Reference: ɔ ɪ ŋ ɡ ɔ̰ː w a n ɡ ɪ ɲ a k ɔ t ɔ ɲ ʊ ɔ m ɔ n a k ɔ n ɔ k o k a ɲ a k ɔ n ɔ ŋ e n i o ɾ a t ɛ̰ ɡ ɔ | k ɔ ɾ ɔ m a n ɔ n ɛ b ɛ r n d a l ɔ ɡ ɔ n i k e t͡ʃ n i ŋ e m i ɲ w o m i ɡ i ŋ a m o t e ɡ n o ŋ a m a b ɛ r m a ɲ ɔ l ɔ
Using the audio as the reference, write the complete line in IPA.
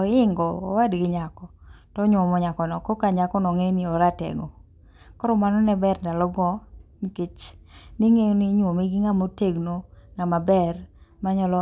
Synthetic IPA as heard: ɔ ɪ ŋ ɡ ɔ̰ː w a d ɡ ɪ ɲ a k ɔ t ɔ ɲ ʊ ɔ m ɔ ɲ a k ɔ n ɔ k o k a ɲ a k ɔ n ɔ ŋ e n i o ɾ a t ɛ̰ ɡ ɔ | k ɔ ɾ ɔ m a n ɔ n ɛ b ɛ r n d a l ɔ ɡ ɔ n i k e t͡ʃ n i ŋ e n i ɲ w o m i ɡ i ŋ a m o t e ɡ n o ŋ a m a b ɛ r m a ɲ ɔ l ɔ